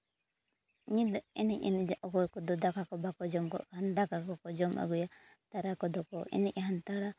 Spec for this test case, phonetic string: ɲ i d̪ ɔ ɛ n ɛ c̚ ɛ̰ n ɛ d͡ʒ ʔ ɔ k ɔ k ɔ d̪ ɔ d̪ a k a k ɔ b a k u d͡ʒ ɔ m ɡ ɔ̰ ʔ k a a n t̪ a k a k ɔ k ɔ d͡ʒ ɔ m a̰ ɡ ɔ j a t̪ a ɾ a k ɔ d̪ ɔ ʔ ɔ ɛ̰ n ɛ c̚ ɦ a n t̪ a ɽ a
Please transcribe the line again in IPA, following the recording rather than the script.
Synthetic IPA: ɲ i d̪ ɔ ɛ n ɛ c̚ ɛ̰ n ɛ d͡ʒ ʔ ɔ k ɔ k ɔ d̪ ɔ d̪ a k a k ɔ b a k ɔ d͡ʒ ɔ m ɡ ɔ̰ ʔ k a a n d̪ a k a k ɔ k ɔ d͡ʒ ɔ m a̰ ɡ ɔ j a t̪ a ɾ a k ɔ d̪ ɔ k ɔ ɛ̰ n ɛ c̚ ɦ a n t̪ a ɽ a